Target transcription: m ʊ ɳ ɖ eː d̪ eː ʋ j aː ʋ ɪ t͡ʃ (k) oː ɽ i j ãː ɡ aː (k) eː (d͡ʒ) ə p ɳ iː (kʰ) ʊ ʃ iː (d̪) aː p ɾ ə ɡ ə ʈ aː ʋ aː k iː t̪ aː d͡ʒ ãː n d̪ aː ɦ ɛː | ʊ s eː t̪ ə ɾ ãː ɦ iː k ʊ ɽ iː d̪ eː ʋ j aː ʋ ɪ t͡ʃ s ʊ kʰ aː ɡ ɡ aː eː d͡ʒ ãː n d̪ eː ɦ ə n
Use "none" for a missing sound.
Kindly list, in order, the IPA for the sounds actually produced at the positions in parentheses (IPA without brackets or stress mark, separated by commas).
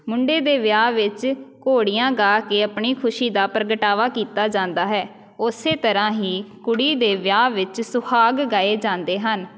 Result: k, k, none, kʰ, d̪